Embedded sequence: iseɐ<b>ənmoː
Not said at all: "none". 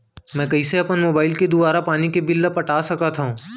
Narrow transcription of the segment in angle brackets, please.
p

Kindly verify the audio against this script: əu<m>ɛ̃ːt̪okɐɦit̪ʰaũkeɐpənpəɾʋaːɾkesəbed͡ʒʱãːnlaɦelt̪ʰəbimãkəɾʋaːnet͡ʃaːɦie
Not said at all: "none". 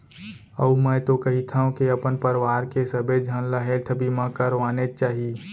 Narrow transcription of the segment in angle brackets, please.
m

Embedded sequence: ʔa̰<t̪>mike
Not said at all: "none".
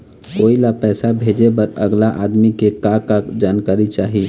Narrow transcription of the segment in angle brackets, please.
d̪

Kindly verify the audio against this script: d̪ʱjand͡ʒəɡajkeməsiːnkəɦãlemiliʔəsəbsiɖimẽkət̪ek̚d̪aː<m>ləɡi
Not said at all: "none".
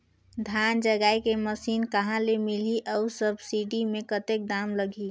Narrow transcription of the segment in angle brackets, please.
m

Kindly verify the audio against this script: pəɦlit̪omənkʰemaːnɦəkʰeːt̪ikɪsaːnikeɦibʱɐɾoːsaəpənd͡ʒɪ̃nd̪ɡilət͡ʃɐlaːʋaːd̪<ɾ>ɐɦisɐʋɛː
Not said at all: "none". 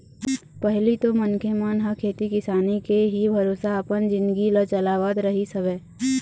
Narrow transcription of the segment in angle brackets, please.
ɾ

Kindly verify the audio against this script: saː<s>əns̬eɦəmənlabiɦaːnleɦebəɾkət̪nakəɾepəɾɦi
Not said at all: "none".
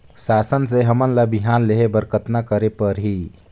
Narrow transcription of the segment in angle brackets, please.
s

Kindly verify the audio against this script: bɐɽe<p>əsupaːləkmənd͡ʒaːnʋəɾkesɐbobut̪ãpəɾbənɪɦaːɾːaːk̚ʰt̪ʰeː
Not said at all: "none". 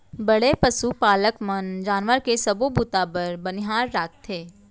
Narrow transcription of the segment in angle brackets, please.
p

